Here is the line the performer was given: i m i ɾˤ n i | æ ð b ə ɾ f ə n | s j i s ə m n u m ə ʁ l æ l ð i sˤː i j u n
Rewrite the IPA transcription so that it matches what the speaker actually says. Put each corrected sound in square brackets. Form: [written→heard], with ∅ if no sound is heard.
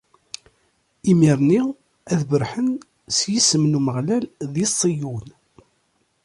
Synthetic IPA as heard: i m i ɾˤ n i | æ ð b ə ɾ [f→ħ] ə n | s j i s ə m n u m ə ʁ l æ l ð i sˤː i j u n